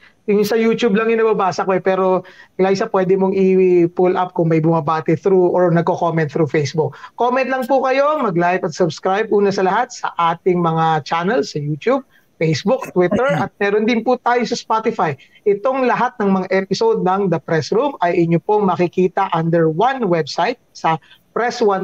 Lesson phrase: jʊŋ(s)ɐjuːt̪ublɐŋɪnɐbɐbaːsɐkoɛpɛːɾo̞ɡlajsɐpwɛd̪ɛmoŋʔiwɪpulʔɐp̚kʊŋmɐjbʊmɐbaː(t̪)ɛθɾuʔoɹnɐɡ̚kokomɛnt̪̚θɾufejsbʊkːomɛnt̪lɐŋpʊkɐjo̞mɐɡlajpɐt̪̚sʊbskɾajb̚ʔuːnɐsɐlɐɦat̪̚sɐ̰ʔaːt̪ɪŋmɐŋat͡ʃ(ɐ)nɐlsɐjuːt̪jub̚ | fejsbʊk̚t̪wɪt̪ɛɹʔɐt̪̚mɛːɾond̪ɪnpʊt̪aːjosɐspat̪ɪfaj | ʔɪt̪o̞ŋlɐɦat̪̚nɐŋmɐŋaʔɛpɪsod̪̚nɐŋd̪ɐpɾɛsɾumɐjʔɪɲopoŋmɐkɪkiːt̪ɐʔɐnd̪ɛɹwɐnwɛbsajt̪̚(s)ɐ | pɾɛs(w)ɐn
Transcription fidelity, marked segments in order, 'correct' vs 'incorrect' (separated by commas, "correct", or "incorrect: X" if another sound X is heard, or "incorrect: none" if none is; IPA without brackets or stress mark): correct, correct, incorrect: a, correct, correct